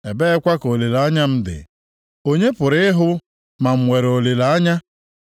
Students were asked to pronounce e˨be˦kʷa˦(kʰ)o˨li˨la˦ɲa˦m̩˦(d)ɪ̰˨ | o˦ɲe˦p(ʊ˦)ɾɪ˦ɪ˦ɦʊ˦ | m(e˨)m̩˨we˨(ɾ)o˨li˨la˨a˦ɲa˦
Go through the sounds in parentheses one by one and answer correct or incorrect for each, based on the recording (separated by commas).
incorrect, correct, incorrect, incorrect, correct